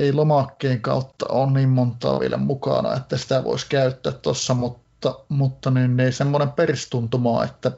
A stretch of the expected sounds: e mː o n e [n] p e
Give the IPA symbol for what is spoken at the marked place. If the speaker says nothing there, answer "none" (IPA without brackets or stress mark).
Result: m